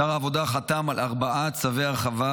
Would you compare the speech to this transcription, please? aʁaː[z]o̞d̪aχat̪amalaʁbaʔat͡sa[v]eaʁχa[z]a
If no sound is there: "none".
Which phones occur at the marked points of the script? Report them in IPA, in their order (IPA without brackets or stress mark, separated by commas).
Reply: v, v, v